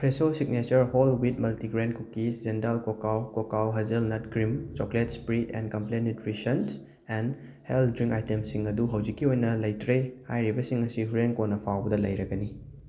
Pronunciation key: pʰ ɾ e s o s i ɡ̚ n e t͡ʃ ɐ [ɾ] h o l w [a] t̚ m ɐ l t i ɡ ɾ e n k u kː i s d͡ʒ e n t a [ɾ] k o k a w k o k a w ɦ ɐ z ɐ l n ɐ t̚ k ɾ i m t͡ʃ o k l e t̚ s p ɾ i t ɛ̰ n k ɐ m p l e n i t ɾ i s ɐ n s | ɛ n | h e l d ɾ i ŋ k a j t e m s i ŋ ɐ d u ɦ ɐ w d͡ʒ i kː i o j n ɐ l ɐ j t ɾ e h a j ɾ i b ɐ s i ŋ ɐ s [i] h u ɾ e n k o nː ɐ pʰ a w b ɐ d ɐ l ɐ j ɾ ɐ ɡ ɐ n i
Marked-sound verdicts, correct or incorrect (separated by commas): correct, incorrect, incorrect, correct